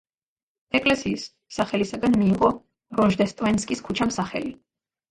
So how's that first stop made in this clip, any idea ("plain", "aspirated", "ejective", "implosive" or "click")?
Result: ejective